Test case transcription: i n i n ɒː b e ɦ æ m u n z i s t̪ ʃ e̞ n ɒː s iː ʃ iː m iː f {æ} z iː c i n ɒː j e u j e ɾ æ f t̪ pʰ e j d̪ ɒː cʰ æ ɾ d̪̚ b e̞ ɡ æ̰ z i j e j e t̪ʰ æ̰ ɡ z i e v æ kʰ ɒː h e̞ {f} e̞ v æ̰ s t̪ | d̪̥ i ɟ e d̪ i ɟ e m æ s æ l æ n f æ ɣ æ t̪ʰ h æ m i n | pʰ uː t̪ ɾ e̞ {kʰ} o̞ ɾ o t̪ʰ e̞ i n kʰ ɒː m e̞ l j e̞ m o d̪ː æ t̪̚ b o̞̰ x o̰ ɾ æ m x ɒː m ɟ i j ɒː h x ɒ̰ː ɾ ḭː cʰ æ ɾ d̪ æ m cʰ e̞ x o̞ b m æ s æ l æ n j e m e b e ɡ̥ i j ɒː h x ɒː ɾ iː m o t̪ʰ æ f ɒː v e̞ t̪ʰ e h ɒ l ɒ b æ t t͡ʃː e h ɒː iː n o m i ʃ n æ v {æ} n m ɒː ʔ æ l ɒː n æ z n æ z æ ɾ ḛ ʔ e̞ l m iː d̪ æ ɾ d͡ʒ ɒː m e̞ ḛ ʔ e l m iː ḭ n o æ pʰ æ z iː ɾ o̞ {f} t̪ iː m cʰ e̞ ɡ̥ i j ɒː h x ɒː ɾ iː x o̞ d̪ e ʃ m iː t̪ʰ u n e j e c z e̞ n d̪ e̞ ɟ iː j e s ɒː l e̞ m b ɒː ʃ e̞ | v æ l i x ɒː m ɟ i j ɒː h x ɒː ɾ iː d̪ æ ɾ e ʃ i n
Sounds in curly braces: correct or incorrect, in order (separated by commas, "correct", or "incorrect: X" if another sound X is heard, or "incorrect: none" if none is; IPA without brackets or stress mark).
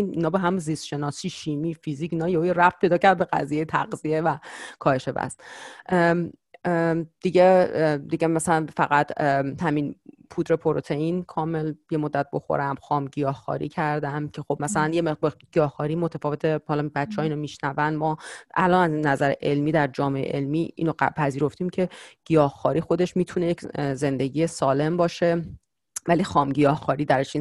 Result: incorrect: i, incorrect: ʃ, incorrect: pʰ, correct, correct